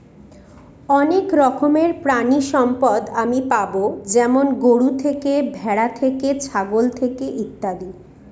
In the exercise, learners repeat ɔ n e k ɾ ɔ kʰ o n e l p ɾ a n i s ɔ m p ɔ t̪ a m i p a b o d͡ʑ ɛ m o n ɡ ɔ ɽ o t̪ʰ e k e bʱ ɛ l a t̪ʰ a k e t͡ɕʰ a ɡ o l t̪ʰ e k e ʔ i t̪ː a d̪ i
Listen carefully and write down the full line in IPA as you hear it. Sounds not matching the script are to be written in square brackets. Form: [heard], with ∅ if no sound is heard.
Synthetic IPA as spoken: ɔ n e k ɾ ɔ kʰ o [m] e [ɾ] p ɾ a n i [ʃ] ɔ m p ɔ [d̪] a m i p a b o d͡ʑ ɛ m o n ɡ [o] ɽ [u] t̪ʰ e k e bʱ ɛ [ɽ] a t̪ʰ [e] k e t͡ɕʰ a ɡ o l t̪ʰ e k e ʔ i t̪ː a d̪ i